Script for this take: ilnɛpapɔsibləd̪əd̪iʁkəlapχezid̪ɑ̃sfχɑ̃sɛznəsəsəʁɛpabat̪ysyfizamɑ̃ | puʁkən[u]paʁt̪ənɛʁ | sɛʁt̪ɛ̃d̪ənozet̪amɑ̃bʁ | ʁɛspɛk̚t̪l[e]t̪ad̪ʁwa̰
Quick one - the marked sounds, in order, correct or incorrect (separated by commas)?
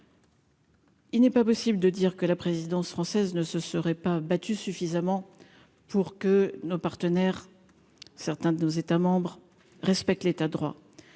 incorrect, correct